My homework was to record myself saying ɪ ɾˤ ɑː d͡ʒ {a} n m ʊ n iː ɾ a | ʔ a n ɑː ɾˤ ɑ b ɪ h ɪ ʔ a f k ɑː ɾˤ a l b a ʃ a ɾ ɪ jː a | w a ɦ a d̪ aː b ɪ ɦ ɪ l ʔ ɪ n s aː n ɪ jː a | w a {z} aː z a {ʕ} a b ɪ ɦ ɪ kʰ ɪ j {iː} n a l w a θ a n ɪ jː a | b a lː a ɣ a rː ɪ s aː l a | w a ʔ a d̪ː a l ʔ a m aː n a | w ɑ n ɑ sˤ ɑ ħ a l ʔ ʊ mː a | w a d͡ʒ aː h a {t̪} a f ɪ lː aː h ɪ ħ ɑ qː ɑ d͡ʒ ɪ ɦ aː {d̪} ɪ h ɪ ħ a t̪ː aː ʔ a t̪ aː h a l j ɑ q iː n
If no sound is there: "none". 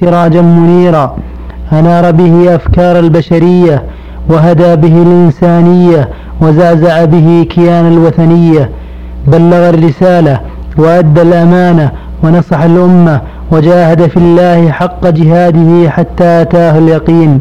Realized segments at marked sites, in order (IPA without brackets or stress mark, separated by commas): a, z, ʕ, aː, d̪, d̪